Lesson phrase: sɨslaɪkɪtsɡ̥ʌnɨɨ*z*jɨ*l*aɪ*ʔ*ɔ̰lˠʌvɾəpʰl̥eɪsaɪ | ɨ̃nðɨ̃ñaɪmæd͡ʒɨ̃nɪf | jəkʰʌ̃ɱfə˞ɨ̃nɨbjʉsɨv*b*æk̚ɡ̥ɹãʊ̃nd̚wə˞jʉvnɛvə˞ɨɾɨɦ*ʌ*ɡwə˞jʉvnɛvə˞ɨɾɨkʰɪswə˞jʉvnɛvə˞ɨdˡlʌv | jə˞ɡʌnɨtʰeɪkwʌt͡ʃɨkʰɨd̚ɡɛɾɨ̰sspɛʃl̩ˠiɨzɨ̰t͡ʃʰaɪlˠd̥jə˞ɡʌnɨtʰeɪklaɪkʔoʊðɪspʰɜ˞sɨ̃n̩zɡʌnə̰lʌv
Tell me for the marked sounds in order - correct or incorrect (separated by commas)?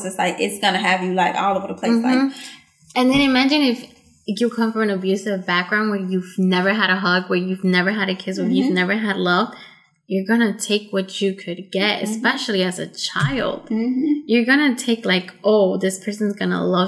incorrect, correct, incorrect, correct, correct